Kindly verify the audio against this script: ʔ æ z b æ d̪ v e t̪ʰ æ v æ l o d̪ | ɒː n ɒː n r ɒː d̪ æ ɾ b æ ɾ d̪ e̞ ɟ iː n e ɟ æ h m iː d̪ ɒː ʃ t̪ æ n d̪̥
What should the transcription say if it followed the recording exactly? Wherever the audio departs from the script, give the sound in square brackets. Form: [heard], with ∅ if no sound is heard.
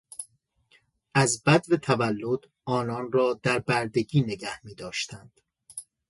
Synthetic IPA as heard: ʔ æ z b æ d̪ v e t̪ʰ æ v æ [lː] o d̪ | ɒː n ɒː n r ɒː d̪ æ ɾ b æ ɾ d̪ e̞ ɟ iː n e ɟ æ h m iː d̪ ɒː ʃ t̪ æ n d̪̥